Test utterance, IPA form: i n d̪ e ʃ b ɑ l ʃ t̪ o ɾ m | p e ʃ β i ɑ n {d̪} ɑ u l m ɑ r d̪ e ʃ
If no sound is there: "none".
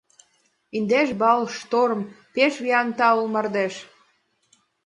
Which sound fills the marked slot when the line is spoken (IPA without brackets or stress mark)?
t̪